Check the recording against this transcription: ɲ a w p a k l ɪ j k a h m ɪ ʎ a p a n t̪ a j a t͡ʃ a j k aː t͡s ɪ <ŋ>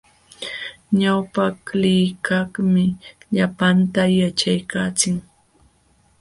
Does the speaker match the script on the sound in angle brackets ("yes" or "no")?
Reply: yes